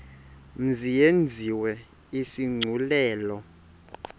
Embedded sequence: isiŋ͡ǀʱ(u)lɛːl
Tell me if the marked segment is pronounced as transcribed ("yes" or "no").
yes